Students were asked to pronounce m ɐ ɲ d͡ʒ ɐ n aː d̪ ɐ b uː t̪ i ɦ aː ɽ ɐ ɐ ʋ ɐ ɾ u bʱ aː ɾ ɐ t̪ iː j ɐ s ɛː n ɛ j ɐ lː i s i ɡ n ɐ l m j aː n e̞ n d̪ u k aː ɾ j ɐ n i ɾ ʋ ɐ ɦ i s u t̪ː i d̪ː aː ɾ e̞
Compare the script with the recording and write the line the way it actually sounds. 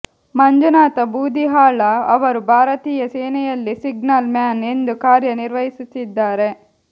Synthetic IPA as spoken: m ɐ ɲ d͡ʒ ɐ n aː t̪ ɐ b uː d̪ i ɦ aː ɭ ɐ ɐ ʋ ɐ ɾ u bʱ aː ɾ ɐ t̪ iː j ɐ s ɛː n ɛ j ɐ lː i s i ɡ n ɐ l m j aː n e̞ n d̪ u k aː ɾ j ɐ n i ɾ ʋ ɐ ɦ i s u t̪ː i d̪ː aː ɾ e̞